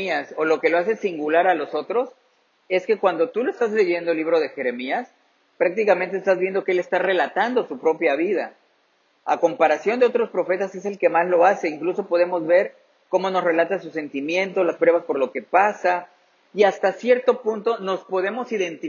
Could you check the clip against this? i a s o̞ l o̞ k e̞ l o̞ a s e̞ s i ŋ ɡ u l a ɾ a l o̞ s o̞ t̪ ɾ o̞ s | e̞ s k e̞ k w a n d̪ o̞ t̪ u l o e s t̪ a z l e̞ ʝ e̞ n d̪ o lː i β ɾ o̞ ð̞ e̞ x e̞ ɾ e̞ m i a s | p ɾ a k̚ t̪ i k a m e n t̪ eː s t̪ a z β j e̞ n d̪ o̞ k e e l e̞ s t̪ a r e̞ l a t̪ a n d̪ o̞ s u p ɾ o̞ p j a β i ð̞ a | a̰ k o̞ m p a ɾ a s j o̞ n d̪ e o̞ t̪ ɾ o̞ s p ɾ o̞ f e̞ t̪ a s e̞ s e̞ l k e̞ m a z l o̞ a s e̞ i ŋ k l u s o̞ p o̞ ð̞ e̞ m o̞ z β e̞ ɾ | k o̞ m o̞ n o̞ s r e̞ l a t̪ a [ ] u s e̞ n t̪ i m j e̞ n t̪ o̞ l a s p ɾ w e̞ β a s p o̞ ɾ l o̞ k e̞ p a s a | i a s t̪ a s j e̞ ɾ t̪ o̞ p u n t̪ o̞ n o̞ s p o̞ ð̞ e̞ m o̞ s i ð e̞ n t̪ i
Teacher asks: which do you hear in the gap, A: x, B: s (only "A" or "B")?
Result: B